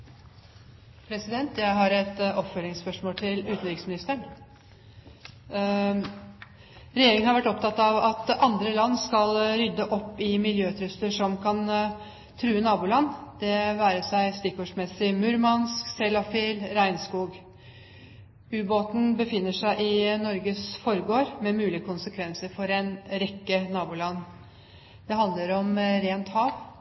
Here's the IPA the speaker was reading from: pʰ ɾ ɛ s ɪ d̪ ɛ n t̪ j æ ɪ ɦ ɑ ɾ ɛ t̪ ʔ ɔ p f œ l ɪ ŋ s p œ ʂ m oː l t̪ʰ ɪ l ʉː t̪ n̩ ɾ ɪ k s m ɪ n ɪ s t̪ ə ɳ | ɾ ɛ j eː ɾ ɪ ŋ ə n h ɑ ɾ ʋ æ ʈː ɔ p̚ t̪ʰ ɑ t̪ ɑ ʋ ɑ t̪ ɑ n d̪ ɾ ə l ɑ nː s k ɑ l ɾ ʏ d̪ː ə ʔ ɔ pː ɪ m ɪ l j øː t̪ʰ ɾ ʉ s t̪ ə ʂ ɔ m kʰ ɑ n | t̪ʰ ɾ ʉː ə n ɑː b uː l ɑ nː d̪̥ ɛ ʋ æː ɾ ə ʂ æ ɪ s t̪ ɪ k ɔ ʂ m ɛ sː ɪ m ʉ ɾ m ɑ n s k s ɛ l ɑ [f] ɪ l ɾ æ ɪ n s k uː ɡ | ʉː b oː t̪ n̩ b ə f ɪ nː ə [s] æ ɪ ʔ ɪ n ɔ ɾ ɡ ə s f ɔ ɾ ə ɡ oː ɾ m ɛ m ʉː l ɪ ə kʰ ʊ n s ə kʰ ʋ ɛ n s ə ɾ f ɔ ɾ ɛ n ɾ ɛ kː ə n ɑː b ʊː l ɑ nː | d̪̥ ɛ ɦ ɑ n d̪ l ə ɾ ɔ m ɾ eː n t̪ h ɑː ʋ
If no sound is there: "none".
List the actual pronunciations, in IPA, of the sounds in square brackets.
f, ʂ

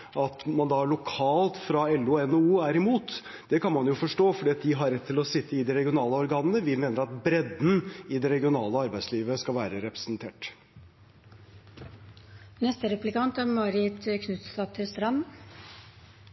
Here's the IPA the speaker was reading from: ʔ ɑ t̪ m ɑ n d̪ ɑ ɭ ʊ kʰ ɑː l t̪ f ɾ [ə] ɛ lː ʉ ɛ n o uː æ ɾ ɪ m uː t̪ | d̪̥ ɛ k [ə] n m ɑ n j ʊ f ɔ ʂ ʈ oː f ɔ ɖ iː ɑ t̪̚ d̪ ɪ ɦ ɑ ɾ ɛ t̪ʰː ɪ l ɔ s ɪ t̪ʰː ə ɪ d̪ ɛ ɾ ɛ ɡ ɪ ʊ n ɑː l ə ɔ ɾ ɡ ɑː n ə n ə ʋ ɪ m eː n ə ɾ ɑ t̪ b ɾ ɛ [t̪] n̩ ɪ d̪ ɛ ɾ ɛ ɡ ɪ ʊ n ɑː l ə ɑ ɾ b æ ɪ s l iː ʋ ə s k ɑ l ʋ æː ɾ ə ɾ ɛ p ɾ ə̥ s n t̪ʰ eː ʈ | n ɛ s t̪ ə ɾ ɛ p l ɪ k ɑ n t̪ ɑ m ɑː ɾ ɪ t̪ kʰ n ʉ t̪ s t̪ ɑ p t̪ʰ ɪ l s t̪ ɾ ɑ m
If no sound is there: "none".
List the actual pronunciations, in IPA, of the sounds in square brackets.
ɑ, ɑ, d̪

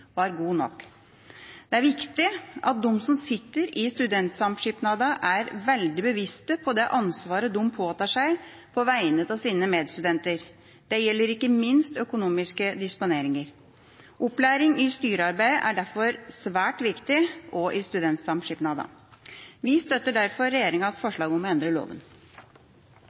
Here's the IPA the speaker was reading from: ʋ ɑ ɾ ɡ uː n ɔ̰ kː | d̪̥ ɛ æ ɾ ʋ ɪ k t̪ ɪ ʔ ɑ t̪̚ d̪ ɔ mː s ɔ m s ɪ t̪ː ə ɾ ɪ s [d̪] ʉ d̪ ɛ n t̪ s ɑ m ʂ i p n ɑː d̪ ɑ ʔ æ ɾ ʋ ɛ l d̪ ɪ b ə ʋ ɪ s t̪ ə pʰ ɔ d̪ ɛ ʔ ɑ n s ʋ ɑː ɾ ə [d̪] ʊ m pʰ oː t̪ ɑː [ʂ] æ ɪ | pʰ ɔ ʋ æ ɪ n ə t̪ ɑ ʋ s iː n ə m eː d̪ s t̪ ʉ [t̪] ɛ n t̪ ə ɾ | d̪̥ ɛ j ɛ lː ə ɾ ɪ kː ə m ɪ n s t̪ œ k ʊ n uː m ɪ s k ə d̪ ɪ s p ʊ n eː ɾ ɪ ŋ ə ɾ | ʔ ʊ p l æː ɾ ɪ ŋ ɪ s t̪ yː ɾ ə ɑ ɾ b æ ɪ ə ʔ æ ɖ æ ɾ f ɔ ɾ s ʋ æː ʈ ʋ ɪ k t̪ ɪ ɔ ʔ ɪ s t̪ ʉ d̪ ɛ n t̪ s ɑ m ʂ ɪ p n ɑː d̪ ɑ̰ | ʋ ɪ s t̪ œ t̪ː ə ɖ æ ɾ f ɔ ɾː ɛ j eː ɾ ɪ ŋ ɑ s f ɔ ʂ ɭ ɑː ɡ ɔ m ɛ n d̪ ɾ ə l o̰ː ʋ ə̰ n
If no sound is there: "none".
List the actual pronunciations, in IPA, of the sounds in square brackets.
t̪, d̪, ʂ, d̪

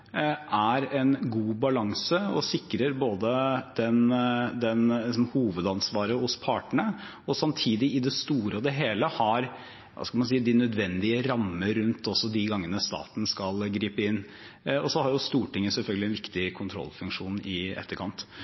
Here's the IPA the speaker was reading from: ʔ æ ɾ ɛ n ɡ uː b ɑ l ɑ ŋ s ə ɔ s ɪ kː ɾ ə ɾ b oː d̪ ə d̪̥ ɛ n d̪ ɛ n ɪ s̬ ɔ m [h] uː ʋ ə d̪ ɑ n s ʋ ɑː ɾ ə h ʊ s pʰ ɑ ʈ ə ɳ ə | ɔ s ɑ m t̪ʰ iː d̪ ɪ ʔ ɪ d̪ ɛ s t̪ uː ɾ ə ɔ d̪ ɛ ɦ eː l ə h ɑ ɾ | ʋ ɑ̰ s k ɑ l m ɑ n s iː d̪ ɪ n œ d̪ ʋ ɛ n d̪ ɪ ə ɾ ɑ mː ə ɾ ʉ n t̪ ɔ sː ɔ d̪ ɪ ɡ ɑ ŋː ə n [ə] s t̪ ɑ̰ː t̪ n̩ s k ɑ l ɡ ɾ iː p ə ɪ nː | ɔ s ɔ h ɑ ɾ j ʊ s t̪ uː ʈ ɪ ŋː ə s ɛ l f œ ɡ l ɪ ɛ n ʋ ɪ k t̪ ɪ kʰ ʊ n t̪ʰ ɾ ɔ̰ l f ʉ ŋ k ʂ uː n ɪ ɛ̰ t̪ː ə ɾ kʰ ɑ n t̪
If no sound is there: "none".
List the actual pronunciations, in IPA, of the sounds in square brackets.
h, ə

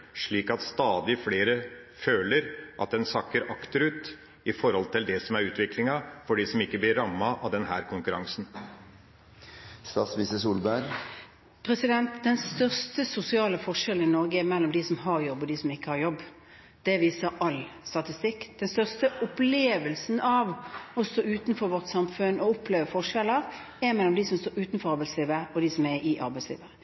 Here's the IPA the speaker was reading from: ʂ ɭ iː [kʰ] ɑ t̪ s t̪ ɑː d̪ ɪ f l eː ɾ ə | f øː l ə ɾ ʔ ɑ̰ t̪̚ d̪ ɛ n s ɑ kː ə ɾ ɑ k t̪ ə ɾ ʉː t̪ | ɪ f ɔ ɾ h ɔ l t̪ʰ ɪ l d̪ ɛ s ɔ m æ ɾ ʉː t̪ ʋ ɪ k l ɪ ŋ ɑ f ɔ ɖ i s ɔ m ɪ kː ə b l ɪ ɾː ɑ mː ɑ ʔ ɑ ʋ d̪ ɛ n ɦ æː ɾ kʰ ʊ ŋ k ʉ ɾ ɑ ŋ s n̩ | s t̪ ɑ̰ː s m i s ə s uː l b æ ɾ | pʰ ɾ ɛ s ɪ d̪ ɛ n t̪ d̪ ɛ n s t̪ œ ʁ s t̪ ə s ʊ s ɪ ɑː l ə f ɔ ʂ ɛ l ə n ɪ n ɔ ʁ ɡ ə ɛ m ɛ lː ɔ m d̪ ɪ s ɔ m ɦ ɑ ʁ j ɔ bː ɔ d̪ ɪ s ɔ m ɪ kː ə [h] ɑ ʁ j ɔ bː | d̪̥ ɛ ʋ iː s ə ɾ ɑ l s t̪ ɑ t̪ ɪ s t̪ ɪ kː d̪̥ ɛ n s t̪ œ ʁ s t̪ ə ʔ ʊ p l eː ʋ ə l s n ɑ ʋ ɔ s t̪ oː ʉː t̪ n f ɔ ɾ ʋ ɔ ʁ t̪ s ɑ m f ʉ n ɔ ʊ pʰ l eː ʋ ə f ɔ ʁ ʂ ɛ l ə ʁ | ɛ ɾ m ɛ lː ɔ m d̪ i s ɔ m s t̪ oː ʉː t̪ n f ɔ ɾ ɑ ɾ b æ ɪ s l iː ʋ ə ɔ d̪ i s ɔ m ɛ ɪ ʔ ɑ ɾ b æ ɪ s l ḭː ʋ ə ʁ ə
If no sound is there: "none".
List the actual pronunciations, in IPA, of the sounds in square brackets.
k, h

